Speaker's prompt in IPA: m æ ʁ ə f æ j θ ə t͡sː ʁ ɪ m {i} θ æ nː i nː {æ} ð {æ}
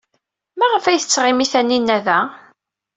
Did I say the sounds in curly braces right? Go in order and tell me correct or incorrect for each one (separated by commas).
correct, correct, correct